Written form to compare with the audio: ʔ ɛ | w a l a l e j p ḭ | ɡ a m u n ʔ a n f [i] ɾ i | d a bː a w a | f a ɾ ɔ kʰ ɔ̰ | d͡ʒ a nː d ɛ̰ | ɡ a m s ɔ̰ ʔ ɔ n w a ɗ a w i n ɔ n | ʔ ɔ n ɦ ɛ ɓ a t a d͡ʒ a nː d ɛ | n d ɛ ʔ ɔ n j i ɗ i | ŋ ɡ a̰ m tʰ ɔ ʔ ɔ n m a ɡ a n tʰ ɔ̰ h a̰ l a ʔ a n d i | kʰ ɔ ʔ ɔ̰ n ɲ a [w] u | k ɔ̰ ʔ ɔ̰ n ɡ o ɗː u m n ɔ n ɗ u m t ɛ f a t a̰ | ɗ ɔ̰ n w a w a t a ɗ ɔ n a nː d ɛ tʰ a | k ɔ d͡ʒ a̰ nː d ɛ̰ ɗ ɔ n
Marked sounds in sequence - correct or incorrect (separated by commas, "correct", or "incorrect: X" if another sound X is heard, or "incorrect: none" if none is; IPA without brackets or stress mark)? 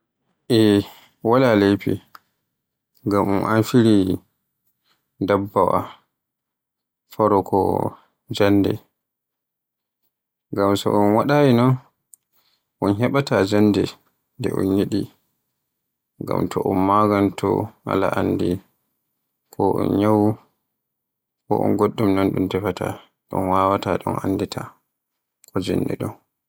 correct, correct